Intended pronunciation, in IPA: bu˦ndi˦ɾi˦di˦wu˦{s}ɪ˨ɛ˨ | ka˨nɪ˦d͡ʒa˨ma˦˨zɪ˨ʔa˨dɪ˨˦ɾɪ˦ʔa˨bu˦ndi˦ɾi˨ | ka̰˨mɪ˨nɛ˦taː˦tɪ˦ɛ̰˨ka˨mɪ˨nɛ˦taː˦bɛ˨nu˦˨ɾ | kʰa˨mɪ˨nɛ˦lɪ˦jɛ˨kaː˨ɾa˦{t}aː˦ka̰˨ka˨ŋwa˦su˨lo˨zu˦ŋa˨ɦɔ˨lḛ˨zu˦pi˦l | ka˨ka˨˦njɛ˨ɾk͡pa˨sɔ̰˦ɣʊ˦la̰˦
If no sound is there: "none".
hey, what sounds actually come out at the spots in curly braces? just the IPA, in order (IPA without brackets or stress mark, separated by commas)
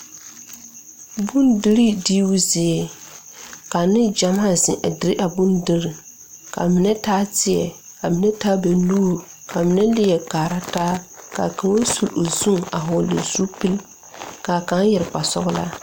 z, t